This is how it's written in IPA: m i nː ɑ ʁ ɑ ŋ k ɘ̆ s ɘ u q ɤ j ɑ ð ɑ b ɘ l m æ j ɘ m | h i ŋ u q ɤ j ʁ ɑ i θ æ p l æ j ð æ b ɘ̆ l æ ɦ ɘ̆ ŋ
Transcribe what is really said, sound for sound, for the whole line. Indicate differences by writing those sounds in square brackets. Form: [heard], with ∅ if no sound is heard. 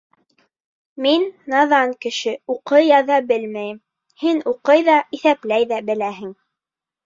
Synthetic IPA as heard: m i nː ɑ [ð] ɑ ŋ k ɘ̆ [ʃ] ɘ u q ɤ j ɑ ð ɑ b ɘ l m æ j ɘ m | h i [n] u q ɤ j [ð] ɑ i θ æ p l æ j ð æ b ɘ̆ l æ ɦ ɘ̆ ŋ

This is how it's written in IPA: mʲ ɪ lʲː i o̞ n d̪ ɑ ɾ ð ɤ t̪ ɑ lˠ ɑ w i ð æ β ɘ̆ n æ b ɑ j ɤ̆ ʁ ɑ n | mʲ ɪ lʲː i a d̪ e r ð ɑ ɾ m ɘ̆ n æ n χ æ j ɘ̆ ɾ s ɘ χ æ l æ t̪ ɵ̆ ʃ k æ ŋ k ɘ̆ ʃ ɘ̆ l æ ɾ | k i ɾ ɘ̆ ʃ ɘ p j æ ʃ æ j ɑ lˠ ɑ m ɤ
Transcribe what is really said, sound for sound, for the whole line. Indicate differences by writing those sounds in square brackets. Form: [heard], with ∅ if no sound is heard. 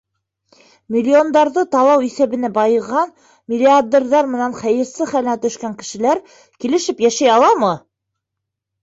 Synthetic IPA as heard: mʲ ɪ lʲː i o̞ n d̪ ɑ ɾ ð ɤ t̪ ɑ lˠ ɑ w i [θ] æ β ɘ̆ n æ b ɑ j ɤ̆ ʁ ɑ n | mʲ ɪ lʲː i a d̪ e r ð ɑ ɾ m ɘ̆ n æ n χ æ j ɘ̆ ɾ s ɘ χ æ l æ t̪ ɵ̆ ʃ k æ ŋ k ɘ̆ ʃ ɘ̆ l æ ɾ | k i [l] ɘ̆ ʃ ɘ p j æ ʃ æ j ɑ lˠ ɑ m ɤ

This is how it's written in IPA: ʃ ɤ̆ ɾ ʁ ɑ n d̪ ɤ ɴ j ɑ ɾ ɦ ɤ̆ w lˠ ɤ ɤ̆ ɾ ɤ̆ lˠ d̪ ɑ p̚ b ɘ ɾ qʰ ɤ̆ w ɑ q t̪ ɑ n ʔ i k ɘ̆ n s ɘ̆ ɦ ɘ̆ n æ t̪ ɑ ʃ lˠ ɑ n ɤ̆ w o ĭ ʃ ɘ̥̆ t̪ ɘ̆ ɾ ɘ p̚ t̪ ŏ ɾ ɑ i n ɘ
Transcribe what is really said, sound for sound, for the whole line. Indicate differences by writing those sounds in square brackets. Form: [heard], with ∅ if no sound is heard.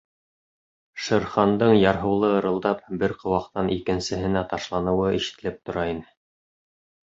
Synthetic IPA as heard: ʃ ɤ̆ ɾ [χ] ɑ n d̪ ɤ ɴ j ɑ ɾ ɦ ɤ̆ w lˠ ɤ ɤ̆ ɾ ɤ̆ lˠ d̪ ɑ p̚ b ɘ ɾ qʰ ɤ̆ w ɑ q t̪ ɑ n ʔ i k ɘ̆ n s ɘ̆ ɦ ɘ̆ n æ t̪ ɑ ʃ lˠ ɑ n ɤ̆ w [ɤ] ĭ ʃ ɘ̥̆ t̪ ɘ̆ [l] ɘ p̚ t̪ ŏ ɾ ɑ i n ɘ

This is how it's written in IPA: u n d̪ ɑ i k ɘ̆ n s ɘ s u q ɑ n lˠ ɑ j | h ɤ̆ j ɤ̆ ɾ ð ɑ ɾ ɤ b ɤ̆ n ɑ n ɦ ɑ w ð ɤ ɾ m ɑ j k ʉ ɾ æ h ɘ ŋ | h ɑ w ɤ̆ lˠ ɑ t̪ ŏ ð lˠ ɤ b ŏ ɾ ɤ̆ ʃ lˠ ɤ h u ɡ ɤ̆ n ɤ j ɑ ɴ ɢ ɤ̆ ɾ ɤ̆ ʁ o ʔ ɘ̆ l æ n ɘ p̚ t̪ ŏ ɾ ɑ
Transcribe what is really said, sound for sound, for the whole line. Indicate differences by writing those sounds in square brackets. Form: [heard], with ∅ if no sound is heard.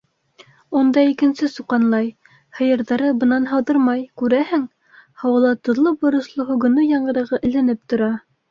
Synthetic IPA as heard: u n d̪ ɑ i k ɘ̆ n s ɘ s u q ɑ n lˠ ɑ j | h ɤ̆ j ɤ̆ ɾ ð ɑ ɾ ɤ b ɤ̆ n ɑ n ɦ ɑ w ð ɤ ɾ m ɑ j k ʉ ɾ æ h ɘ ŋ | h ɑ w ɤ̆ lˠ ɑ t̪ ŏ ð lˠ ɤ b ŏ ɾ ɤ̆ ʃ lˠ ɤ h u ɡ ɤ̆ n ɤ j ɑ ɴ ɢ ɤ̆ ɾ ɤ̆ ʁ [ɤ] ʔ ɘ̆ l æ n ɘ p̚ t̪ ŏ ɾ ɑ

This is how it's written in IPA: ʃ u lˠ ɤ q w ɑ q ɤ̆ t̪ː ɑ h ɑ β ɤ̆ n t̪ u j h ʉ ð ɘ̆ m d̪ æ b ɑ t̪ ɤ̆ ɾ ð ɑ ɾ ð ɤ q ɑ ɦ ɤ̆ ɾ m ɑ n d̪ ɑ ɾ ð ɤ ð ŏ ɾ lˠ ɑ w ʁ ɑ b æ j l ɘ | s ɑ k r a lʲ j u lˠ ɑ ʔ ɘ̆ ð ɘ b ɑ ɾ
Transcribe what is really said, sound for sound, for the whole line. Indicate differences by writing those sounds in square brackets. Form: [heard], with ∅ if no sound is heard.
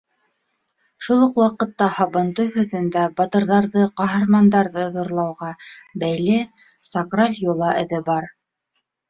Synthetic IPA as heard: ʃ u lˠ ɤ q w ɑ q ɤ̆ t̪ː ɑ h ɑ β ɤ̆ n t̪ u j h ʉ ð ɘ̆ [n] d̪ æ b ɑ t̪ ɤ̆ ɾ ð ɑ ɾ ð ɤ q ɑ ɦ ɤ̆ ɾ m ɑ n d̪ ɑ ɾ ð ɤ ð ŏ ɾ lˠ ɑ w ʁ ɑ b æ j l ɘ | s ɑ k r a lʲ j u lˠ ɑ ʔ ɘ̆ ð ɘ b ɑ ɾ

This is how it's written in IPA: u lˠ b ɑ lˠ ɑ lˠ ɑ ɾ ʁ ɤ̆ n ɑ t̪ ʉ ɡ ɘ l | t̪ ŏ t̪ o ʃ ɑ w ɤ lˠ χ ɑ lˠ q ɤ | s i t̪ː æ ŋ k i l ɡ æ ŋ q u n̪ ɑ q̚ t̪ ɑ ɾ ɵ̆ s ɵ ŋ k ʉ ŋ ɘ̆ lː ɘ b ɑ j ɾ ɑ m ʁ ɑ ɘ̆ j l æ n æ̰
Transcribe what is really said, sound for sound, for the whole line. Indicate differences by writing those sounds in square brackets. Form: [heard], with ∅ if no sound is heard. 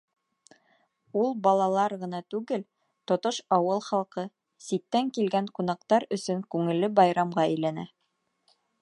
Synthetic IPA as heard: u lˠ b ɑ lˠ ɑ lˠ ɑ ɾ ʁ ɤ̆ n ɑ t̪ ʉ ɡ ɘ l | t̪ ŏ t̪ o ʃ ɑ w ɤ lˠ χ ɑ lˠ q ɤ | s i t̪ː æ ŋ k i l ɡ æ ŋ q u n̪ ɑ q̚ t̪ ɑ ɾ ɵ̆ s ɵ ŋ k ʉ ŋ ɘ̆ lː ɘ b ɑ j ɾ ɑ m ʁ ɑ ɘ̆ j l æ n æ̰

